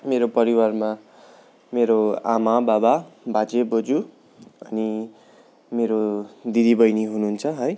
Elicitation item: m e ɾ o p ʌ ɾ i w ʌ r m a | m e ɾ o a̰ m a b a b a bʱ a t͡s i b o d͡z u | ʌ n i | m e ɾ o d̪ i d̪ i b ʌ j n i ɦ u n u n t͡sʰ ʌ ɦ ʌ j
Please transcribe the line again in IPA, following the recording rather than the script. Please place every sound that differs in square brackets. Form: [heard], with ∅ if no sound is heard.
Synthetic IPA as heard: m e ɾ o p ʌ ɾ i w [a] r m a | m e ɾ o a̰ m a b a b a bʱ a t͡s [e] b o d͡z u | ʌ n i | m e ɾ o d̪ i d̪ i b ʌ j n i ɦ u n u n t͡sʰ ʌ ɦ ʌ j